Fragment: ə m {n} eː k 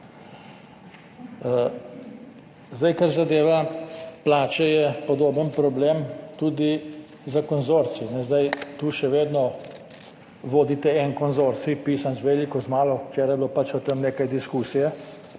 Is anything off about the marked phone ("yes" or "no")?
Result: no